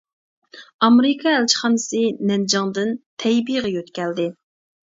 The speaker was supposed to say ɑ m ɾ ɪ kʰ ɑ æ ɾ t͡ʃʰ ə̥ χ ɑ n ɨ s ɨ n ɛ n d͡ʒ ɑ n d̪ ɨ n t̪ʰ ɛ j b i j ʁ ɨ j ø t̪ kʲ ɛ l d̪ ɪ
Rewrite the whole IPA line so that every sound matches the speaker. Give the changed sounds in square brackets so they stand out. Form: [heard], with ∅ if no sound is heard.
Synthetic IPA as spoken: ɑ m ɾ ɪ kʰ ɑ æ [l] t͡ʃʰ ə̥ χ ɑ n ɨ s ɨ n ɛ n d͡ʒ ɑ [ŋ] d̪ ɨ n t̪ʰ ɛ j b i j ʁ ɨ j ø t̪ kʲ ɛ l d̪ ɪ

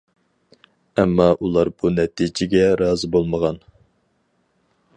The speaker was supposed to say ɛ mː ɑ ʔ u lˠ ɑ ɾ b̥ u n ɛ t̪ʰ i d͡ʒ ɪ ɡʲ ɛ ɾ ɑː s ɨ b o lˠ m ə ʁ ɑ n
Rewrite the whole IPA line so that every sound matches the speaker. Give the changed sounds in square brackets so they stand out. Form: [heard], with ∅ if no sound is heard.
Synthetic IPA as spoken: ɛ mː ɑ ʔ u lˠ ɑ ɾ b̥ u n ɛ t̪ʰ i d͡ʒ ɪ ɡʲ ɛ ɾ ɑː [z] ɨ b o lˠ m ə ʁ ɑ n

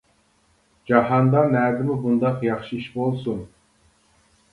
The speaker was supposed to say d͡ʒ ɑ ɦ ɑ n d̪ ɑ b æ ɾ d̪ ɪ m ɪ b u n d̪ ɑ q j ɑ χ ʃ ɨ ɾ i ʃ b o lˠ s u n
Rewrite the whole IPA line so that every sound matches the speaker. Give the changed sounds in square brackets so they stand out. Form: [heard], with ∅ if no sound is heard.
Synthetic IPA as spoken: d͡ʒ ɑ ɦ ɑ n d̪ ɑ [m] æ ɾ d̪ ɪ m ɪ b u n d̪ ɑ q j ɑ χ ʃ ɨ [∅] i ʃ b o lˠ s u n

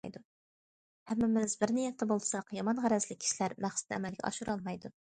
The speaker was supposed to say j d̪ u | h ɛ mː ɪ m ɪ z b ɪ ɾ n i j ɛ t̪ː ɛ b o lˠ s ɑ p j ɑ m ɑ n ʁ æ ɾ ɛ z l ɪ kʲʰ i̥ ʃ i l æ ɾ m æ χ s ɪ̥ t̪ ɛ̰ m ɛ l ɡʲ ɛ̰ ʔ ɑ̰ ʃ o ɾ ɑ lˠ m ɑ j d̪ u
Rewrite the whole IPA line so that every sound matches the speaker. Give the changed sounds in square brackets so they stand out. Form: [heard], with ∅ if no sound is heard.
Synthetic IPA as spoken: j d̪ u | h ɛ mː ɪ m ɪ z b ɪ ɾ n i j ɛ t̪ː ɛ b o lˠ s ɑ [q] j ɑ m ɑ n ʁ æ ɾ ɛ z l ɪ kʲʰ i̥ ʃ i l æ ɾ m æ χ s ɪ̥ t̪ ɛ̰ m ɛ l ɡʲ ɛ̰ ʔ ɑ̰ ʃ [u] ɾ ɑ lˠ m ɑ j d̪ u

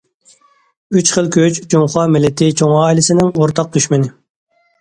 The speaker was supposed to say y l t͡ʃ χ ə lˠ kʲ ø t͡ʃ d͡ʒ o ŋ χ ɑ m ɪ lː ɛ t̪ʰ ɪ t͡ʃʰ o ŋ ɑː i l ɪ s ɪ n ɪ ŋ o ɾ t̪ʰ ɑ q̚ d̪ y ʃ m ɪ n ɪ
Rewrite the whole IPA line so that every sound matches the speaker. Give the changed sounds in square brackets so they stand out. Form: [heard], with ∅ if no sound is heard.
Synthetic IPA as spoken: y [∅] t͡ʃ χ ə lˠ kʲ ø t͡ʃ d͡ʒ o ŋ χ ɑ m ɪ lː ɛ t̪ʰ ɪ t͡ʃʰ o ŋ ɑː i l ɪ s ɪ n ɪ ŋ o ɾ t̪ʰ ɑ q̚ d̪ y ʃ m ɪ n ɪ

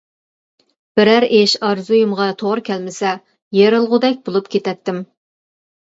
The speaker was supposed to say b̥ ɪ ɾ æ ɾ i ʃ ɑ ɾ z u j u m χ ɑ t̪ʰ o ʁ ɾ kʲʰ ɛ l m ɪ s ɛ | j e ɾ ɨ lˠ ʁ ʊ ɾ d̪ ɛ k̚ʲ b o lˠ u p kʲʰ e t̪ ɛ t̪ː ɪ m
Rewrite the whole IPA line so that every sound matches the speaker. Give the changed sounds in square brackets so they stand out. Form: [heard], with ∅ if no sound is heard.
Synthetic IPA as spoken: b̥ ɪ ɾ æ ɾ [e] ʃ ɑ ɾ z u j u m [ʁ] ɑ t̪ʰ o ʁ ɾ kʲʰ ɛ l m ɪ s ɛ | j e ɾ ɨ lˠ ʁ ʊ [∅] d̪ ɛ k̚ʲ b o lˠ u p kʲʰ e t̪ ɛ t̪ː ɪ m

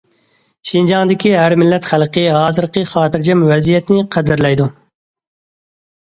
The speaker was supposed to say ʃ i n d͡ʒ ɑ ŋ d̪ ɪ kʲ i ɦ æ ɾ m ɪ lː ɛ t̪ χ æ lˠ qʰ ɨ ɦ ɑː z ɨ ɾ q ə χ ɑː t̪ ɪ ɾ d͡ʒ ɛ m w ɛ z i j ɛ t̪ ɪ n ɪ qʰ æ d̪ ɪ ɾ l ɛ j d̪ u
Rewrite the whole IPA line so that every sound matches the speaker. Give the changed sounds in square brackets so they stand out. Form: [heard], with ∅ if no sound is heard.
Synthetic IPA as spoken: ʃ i n d͡ʒ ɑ ŋ d̪ ɪ kʲ i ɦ æ ɾ m ɪ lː ɛ t̪ χ æ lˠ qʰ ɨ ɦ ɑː z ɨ ɾ q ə χ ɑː t̪ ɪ ɾ d͡ʒ ɛ m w ɛ z i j ɛ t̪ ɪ n ɪ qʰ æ d̪ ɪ ɾ l ɛ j d̪ u

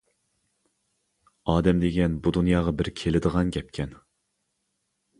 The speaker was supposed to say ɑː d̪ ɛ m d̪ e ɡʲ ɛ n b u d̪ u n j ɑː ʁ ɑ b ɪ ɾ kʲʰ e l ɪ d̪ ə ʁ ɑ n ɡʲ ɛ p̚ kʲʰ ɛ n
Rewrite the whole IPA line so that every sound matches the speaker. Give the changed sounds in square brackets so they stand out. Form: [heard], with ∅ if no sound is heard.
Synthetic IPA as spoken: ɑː d̪ ɛ m d̪ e ɡʲ ɛ n b u d̪ u n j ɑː ʁ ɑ b ɪ ɾ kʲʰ e l ɪ d̪ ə ʁ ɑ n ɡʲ ɛ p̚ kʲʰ ɛ n

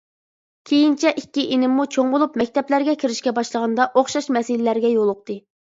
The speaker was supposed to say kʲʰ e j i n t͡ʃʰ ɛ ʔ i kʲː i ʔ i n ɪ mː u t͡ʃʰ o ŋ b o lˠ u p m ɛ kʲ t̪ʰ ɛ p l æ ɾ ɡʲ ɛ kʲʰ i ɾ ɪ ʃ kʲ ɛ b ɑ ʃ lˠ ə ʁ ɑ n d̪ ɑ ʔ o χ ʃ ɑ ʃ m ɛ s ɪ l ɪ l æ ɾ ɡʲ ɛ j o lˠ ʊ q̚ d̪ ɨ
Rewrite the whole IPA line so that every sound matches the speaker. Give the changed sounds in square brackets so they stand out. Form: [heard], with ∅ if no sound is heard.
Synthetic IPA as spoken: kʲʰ e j i n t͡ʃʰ ɛ ʔ i kʲː i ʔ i n ɪ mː u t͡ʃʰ o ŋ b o lˠ u p m ɛ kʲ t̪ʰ ɛ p l æ ɾ ɡʲ ɛ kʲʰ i ɾ ɪ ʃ kʲ ɛ b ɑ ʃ lˠ ə ʁ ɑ n d̪ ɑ ʔ o χ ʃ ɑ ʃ m ɛ s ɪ l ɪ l æ ɾ ɡʲ ɛ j o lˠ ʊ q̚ [t̪] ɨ

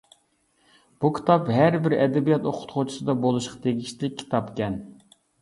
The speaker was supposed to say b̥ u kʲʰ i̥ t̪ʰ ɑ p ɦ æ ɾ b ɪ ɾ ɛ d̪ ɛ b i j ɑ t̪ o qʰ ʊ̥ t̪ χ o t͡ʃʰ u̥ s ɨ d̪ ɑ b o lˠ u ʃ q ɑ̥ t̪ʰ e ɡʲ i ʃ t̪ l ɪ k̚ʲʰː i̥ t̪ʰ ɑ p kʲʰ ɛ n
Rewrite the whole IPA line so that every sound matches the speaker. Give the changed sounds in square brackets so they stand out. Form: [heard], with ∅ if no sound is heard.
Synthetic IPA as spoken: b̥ u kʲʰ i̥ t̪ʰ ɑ p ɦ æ ɾ b ɪ ɾ ɛ d̪ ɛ b i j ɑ t̪ o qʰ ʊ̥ t̪ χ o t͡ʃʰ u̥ s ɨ d̪ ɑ b o lˠ u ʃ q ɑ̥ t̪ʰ e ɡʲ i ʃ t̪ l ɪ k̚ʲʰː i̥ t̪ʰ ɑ p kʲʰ ɛ n

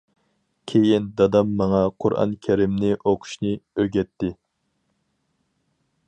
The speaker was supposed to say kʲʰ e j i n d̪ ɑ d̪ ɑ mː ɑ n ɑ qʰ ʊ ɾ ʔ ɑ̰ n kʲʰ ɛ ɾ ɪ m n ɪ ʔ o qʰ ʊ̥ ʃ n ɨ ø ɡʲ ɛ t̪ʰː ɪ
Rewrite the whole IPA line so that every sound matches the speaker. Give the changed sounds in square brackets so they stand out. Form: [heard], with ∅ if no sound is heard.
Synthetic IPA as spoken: kʲʰ e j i n d̪ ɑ d̪ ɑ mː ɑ [ŋ] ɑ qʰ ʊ ɾ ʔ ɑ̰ n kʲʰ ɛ ɾ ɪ m n ɪ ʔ o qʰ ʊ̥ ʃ n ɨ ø ɡʲ ɛ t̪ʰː ɪ

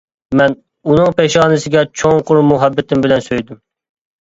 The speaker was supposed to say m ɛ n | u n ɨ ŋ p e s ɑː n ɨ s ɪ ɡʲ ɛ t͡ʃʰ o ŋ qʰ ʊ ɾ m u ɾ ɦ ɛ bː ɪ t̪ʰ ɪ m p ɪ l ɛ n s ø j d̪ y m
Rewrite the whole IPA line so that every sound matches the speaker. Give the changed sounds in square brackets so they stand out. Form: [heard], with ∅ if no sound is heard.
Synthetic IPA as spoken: m ɛ n | u n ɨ ŋ p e [ʃ] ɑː n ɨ s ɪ ɡʲ ɛ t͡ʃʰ o ŋ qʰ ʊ ɾ m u [∅] ɦ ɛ bː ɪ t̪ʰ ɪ m [b] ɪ l ɛ n s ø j d̪ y m

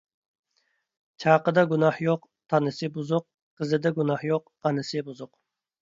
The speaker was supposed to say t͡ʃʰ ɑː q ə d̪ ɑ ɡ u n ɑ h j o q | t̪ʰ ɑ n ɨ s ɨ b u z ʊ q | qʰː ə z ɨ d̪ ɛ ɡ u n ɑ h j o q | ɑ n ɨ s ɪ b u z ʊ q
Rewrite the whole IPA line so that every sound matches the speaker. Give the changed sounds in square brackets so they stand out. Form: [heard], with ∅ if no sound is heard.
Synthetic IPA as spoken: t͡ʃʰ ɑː q ə d̪ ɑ ɡ u n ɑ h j o q | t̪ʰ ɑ n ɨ s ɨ b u z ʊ q | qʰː ə z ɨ d̪ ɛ ɡ u n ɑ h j o q | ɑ n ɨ s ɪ b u z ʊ q

